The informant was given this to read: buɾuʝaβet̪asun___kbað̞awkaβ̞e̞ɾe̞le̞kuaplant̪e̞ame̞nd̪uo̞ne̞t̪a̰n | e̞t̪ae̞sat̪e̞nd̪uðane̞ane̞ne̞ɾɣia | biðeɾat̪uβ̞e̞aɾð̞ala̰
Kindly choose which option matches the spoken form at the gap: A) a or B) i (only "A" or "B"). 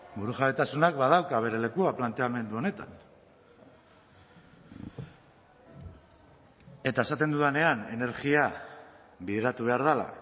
A